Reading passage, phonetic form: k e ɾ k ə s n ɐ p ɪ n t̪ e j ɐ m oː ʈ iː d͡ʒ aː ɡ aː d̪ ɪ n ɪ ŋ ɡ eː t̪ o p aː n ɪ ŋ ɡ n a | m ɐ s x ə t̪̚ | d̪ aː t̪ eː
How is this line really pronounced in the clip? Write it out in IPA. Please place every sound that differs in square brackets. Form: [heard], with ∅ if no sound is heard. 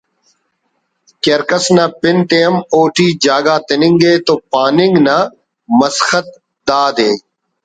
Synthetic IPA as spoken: k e ɾ k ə s n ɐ p ɪ n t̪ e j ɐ m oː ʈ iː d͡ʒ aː ɡ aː [t̪] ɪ n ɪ ŋ ɡ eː t̪ o p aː n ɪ ŋ ɡ n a | m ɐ s x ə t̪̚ | d̪ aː [d̪] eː